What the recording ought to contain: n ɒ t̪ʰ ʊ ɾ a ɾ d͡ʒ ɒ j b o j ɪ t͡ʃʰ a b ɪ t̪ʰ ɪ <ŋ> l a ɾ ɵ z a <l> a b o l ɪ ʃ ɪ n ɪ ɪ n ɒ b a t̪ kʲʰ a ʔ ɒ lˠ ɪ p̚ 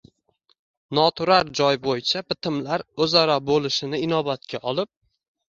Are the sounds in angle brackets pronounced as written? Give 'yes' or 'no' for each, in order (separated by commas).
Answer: no, no